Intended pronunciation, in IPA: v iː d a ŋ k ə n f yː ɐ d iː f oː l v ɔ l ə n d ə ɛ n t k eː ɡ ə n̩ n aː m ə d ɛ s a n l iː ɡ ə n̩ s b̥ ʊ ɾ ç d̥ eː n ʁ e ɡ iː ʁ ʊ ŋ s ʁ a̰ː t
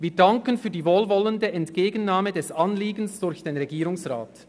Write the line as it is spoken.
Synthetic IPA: v iː d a ŋ k ə n f yː ɐ d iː v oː l v ɔ l ə n d ə ɛ n t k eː ɡ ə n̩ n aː m ə d ɛ s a n l iː ɡ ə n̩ s d̥ ʊ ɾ ç d̥ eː n ʁ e ɡ iː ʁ ʊ ŋ s ʁ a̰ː t